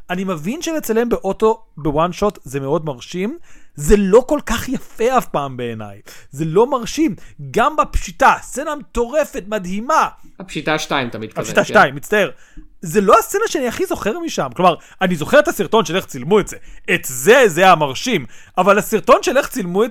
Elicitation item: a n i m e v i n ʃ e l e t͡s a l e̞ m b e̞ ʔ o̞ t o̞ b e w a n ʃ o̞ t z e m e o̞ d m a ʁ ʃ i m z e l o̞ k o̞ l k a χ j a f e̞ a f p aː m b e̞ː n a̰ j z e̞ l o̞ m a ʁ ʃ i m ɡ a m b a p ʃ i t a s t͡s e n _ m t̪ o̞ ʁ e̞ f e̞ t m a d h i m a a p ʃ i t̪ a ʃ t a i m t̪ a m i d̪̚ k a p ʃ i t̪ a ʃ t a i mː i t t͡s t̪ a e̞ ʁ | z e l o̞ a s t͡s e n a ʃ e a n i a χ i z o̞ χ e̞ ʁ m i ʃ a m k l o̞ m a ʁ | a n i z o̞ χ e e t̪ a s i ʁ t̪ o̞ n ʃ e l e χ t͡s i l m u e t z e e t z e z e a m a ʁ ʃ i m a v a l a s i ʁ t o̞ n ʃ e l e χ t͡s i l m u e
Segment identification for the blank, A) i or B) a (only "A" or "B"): B